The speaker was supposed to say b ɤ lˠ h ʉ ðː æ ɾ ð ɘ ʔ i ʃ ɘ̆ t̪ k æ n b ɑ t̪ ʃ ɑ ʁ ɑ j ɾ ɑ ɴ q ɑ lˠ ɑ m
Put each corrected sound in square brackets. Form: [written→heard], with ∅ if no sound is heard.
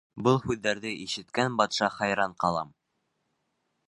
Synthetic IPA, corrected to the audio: b ɤ lˠ h ʉ ðː æ ɾ ð ɘ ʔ i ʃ ɘ̆ t̪ k æ n b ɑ t̪ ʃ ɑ [ʁ→χ] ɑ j ɾ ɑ ɴ q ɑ lˠ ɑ m